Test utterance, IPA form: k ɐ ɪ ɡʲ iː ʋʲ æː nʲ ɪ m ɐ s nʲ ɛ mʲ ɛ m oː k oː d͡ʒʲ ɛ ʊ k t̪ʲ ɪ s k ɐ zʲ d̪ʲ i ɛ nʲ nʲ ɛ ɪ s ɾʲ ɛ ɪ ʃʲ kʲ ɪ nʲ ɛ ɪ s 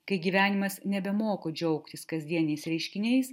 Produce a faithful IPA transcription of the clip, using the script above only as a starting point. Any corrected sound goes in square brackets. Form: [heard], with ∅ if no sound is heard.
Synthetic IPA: k ɐ ɪ ɡʲ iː ʋʲ æː nʲ ɪ m ɐ s nʲ ɛ [bʲ] ɛ m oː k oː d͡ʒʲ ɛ ʊ k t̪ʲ ɪ s k ɐ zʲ d̪ʲ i ɛ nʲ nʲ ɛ ɪ s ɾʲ ɛ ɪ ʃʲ kʲ ɪ nʲ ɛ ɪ s